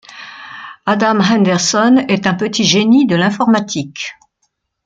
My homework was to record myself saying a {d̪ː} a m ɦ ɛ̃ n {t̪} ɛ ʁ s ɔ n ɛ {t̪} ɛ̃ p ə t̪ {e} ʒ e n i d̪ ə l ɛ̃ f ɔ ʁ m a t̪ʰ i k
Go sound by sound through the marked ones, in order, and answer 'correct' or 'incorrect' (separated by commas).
incorrect, incorrect, correct, incorrect